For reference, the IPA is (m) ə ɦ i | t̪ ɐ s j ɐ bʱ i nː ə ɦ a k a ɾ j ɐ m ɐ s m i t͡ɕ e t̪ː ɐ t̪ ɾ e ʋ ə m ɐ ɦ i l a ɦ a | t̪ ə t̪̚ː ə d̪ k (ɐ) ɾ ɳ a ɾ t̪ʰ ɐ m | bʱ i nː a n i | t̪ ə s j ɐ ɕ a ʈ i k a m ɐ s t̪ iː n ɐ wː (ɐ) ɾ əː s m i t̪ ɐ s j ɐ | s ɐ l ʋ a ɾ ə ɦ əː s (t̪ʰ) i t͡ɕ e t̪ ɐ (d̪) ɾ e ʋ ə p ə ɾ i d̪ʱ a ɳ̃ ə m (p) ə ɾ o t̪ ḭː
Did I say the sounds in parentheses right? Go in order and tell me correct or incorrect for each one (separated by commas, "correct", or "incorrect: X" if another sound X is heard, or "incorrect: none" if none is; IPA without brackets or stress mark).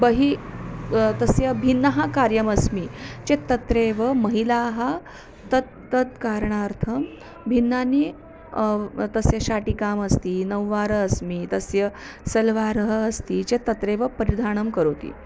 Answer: incorrect: b, incorrect: a, incorrect: a, incorrect: t̪, incorrect: t̪, incorrect: k